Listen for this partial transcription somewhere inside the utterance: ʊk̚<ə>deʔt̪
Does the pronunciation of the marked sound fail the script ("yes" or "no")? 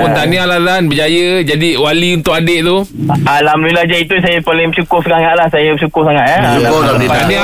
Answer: yes